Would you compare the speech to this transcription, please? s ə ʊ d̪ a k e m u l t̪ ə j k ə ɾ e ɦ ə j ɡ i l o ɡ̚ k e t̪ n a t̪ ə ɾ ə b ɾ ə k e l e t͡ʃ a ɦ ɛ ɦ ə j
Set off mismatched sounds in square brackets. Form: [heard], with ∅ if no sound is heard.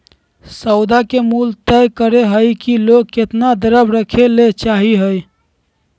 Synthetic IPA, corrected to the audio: s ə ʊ d̪ a k e m u l t̪ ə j k ə ɾ e ɦ ə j [k] i l o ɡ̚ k e t̪ n a [d̪] ə ɾ ə b ɾ ə [kʰ] e l e t͡ʃ a ɦ [i] ɦ ə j